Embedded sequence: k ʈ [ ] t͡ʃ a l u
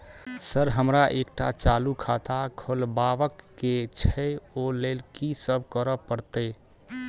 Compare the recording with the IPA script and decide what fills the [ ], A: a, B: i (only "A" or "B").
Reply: A